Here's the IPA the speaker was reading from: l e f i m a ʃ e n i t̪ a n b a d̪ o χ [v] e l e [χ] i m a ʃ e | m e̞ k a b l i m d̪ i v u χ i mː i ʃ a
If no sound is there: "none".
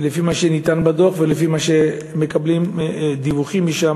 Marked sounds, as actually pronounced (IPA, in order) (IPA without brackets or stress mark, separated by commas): v, f